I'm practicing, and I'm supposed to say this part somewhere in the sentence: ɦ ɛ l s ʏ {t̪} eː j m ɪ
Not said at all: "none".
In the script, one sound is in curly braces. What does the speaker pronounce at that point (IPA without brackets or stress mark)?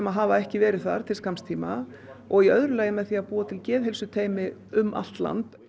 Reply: t̪ʰ